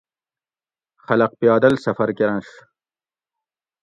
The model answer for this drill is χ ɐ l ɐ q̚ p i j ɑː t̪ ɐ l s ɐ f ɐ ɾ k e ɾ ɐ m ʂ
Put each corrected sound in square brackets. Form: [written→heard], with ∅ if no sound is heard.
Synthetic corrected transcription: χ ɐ l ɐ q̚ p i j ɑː [t̪→d̪] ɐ l s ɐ f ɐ ɾ k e ɾ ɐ [m→n] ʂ